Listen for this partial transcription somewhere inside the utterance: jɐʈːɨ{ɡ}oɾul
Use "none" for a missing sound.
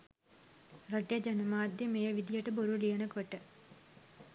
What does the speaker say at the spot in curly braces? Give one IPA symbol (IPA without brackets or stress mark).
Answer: b